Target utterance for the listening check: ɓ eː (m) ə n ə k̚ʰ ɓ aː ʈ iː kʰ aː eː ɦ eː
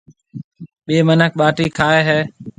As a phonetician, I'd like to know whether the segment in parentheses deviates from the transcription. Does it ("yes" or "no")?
no